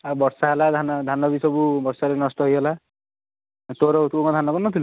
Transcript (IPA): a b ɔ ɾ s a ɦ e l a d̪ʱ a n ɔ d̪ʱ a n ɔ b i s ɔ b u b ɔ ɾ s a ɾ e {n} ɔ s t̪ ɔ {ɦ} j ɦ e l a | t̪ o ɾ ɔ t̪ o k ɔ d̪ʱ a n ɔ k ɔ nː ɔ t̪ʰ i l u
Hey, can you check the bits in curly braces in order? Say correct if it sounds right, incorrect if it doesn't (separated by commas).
correct, correct